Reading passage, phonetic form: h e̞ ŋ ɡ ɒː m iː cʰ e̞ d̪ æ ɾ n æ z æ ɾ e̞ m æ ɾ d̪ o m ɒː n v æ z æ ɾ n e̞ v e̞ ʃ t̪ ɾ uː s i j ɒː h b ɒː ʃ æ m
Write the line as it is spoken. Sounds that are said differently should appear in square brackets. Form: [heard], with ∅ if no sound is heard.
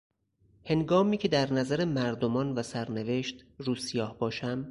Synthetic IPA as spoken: h e̞ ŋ ɡ ɒː m iː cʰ e̞ d̪ æ ɾ n æ z æ ɾ e̞ m æ ɾ d̪ o m ɒː n v æ [s] æ ɾ n e̞ v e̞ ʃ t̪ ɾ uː s i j ɒː h b ɒː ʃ æ m